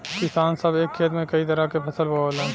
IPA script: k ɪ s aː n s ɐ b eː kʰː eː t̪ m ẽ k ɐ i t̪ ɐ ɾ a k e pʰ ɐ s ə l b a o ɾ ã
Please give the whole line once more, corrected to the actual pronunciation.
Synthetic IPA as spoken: k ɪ s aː n s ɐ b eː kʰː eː t̪ m ẽ k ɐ i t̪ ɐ ɾ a k e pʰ ɐ s ə l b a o l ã

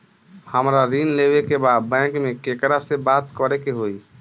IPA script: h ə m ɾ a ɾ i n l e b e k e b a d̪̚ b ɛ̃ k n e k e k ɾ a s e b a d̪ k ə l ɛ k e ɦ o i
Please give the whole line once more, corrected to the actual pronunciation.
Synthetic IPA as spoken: h ə m ɾ a ɾ i n l e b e k e b a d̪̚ b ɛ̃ k m e k e k ɾ a s e b a t̪ k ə ɾ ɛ k e ɦ o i

